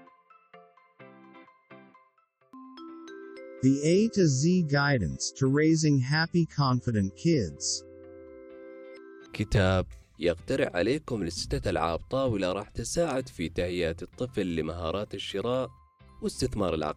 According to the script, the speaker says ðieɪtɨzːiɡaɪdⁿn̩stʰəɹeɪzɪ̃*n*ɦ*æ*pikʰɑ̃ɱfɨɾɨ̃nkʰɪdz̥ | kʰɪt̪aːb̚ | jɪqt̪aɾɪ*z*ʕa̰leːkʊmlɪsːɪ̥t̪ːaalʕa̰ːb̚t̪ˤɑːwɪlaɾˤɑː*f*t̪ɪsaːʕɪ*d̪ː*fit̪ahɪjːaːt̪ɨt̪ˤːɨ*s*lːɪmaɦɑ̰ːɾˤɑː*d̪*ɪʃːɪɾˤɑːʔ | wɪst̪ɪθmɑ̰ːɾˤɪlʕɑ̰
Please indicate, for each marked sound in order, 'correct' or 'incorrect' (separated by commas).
incorrect, correct, incorrect, incorrect, incorrect, incorrect, incorrect